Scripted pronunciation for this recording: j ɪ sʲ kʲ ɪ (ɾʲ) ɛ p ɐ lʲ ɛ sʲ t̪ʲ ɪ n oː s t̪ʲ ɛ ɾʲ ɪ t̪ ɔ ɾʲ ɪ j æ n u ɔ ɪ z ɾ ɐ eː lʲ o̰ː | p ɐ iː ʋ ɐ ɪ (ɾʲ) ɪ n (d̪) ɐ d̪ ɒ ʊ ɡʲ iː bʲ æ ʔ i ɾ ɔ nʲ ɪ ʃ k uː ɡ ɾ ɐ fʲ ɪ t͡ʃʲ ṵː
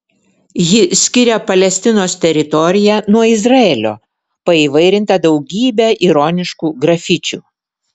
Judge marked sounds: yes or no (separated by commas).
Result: yes, yes, no